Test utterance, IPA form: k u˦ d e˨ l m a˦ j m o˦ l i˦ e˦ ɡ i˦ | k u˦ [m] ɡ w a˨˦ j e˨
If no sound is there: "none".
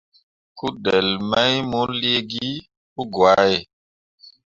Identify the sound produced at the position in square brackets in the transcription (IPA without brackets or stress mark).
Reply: none